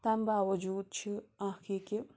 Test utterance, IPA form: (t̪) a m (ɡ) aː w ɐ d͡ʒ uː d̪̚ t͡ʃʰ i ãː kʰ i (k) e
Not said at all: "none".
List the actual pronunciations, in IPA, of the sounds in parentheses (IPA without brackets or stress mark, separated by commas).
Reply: t̪, b, k